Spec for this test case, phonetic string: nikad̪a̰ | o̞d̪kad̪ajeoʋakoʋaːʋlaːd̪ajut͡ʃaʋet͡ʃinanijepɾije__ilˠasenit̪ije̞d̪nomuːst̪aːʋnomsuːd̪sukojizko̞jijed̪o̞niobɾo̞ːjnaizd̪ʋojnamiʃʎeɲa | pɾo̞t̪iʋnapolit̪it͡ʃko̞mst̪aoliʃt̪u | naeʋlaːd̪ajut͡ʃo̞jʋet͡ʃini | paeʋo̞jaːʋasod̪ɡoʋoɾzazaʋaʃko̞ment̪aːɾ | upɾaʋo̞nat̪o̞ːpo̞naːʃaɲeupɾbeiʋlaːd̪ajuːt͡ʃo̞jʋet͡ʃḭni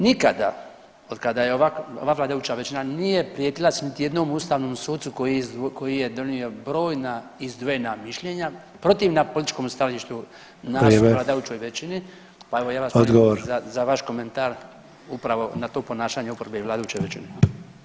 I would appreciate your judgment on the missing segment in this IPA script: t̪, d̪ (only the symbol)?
t̪